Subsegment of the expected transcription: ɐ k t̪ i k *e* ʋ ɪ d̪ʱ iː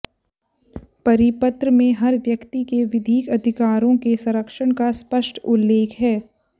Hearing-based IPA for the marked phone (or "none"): e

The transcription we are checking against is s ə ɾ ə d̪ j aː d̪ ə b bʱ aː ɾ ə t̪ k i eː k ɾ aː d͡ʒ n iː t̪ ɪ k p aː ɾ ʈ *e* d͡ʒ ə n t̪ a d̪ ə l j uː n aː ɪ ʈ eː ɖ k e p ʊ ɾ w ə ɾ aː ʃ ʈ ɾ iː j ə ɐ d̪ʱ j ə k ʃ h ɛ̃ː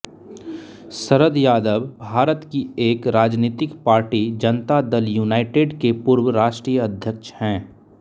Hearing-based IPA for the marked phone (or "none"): i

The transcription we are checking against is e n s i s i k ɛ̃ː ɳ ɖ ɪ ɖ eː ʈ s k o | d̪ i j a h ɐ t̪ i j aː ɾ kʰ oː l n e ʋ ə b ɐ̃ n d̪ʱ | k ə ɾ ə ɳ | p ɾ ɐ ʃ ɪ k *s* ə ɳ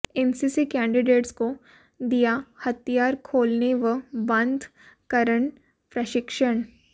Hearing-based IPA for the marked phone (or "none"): ʃ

